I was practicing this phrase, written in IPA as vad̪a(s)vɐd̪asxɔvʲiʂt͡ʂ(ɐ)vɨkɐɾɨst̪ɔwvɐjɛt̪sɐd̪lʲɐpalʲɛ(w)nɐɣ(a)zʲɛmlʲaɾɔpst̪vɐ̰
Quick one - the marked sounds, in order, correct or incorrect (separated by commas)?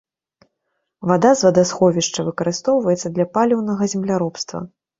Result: incorrect, correct, correct, incorrect